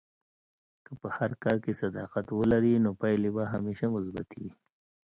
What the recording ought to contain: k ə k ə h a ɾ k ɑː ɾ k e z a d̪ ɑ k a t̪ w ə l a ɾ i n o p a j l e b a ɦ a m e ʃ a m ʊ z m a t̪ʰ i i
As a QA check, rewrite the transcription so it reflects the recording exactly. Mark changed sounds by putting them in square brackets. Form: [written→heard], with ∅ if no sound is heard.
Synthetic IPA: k ə [k→p] ə h a ɾ k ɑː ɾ k e [z→s] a d̪ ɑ [k→q] a t̪ w ə l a ɾ i n o p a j l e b a ɦ a m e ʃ a m ʊ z [m→b] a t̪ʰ i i